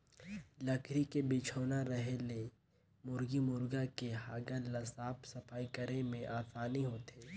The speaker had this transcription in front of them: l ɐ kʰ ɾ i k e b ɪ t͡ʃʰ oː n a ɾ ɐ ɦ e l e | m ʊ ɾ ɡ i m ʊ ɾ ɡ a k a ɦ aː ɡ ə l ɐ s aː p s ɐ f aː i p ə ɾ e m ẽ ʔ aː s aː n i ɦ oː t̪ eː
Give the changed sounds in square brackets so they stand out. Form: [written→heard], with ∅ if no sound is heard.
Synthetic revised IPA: l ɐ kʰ ɾ i k e b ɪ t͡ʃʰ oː n a ɾ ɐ ɦ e l e | m ʊ ɾ ɡ i m ʊ ɾ ɡ a k [a→e] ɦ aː ɡ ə l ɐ s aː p s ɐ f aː i [p→k] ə ɾ e m ẽ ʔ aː s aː n i ɦ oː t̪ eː